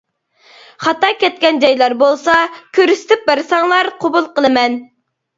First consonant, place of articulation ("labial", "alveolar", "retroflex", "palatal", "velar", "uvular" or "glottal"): uvular